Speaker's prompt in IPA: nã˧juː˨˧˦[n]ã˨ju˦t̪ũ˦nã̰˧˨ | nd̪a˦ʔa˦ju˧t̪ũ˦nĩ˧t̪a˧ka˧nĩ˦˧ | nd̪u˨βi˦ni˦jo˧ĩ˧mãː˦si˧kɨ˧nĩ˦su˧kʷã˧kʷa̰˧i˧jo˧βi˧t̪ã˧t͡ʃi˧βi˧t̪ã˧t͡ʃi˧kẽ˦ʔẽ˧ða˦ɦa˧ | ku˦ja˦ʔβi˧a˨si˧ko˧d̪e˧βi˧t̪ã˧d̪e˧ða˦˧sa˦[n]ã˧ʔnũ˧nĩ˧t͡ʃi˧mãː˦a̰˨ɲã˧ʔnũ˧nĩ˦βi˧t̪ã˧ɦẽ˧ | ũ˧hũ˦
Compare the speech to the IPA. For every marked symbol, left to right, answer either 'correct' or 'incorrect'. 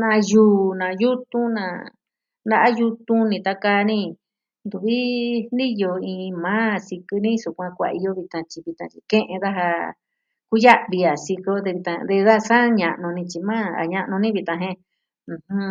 correct, incorrect

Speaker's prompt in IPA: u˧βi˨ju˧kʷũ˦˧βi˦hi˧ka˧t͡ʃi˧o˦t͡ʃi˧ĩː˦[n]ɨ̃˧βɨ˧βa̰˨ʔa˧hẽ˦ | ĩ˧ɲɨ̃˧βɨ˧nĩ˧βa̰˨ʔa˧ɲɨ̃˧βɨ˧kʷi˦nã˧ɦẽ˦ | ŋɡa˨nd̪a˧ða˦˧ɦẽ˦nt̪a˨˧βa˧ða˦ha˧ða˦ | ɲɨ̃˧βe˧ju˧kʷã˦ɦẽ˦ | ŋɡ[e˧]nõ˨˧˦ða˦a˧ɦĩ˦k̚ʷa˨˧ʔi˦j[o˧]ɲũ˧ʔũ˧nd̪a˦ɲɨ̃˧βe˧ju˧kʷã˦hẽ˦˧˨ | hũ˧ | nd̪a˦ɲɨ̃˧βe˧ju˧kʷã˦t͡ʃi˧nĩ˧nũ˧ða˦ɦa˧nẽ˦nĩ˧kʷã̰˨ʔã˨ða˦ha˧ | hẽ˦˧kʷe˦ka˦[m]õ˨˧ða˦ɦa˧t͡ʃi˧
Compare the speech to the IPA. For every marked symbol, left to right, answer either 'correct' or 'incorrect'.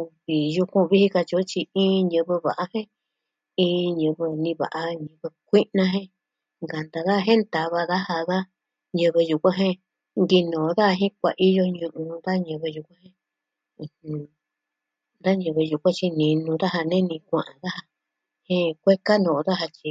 incorrect, incorrect, correct, incorrect

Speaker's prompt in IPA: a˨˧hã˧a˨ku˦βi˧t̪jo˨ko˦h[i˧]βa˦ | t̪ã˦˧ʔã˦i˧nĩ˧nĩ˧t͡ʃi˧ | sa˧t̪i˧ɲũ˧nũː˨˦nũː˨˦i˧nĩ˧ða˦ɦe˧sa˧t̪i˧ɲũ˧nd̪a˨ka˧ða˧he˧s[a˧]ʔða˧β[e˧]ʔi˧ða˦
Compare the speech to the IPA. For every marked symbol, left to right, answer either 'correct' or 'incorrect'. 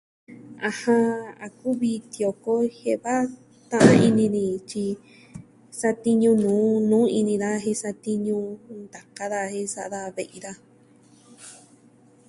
incorrect, correct, correct

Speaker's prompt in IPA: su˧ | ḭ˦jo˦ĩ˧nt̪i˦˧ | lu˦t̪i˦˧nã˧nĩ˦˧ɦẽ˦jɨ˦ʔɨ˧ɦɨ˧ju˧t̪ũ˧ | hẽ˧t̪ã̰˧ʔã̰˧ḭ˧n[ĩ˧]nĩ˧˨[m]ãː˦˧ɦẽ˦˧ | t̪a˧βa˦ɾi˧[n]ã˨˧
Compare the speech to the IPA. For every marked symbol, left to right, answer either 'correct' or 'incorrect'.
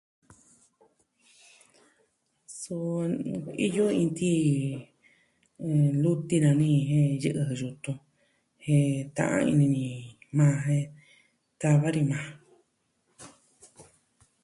correct, correct, incorrect

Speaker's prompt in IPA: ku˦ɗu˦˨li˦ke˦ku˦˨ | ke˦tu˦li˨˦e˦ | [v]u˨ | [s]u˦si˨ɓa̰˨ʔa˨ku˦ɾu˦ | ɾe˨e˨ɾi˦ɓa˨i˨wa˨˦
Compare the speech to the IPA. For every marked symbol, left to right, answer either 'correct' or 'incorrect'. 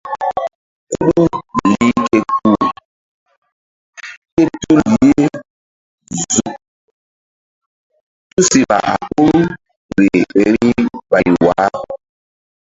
incorrect, incorrect

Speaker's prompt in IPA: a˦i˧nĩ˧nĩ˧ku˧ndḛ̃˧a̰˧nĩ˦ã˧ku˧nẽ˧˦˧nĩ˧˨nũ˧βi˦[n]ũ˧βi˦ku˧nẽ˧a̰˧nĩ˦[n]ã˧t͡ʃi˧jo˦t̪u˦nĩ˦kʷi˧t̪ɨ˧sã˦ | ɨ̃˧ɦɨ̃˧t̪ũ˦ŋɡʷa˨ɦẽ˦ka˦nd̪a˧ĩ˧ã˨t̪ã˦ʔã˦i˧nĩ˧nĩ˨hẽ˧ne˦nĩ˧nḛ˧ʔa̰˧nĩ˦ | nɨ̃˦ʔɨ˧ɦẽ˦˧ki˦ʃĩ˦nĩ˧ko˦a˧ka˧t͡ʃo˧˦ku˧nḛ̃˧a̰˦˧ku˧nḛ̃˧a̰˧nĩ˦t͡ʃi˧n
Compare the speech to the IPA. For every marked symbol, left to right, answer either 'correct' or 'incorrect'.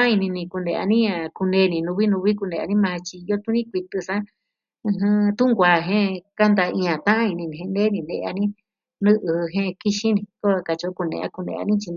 correct, incorrect

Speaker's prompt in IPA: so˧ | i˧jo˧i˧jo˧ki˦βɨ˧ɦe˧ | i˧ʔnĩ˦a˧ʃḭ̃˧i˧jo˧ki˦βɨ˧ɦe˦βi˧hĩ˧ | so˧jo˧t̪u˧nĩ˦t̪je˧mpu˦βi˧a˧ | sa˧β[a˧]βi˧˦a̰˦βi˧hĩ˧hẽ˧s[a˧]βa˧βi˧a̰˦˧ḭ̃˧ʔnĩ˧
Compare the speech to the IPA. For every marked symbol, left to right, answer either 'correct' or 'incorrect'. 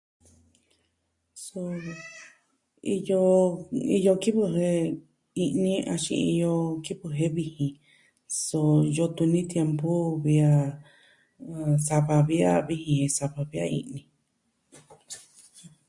correct, correct

